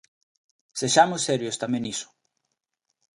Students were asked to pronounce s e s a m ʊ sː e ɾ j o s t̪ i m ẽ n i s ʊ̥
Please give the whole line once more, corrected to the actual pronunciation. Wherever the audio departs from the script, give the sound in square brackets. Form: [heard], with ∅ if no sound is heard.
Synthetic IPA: s e [ʃ] a m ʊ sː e ɾ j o s t̪ [a] m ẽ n i s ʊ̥